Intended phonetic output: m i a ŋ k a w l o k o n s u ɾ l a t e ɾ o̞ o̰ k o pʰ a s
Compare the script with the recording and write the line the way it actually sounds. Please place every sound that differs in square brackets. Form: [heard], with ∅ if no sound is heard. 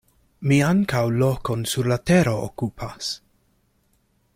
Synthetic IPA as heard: m i a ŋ k a w l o k o n s u ɾ l a t e ɾ o̞ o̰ k [u] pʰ a s

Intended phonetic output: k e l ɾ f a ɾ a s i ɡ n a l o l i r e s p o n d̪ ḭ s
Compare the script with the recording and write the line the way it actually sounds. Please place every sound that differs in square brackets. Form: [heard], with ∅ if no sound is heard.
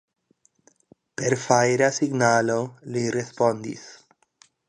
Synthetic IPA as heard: [p] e [∅] ɾ f a ɾ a s i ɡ n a l o l i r e s p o n d̪ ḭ s

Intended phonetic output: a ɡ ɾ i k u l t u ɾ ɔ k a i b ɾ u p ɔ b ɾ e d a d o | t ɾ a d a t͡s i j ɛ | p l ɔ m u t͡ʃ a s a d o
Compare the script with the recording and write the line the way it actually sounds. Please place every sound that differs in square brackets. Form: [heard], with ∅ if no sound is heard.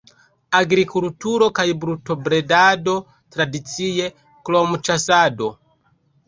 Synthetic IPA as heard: a ɡ ɾ i k u l t u ɾ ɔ k a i b ɾ u [t] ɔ b ɾ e d a d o | t ɾ a d [i] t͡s i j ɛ | [k] l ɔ m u t͡ʃ a s a d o

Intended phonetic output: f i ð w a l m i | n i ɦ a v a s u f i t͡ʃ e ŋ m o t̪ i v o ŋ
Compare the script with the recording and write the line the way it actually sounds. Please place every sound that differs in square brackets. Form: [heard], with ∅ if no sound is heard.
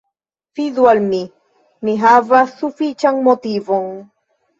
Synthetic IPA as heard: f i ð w a l m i | n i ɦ a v a s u f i t͡ʃ [a] ŋ m o t̪ i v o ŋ

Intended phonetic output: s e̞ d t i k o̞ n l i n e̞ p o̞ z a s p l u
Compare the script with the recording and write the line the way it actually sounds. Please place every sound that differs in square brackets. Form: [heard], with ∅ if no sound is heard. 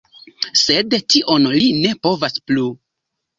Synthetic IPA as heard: s e̞ d t i [ʔ] o̞ n l i n e̞ p o̞ [v] a s p l u

